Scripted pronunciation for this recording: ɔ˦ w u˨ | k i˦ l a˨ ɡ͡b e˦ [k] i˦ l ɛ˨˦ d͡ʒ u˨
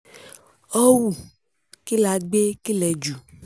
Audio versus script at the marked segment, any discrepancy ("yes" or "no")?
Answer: no